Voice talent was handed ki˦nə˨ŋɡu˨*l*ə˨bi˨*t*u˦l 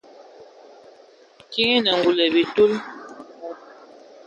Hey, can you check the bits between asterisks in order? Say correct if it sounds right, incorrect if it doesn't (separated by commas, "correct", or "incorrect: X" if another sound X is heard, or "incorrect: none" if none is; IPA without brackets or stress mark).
correct, correct